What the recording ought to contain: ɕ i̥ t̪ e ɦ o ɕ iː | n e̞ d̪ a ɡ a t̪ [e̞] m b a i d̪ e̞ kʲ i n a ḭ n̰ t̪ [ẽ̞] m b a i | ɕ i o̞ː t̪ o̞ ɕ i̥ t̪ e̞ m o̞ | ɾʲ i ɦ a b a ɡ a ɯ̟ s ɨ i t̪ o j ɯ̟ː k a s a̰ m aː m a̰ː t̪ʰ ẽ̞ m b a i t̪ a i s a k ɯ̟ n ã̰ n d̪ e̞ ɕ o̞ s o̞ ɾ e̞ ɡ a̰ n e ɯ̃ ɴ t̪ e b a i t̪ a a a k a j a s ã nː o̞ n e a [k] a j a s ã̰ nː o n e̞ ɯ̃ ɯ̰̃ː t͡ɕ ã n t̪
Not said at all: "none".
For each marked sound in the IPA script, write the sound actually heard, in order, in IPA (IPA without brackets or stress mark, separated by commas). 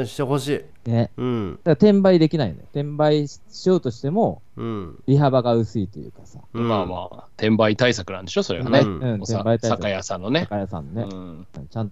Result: ẽ̞, ẽ̞, k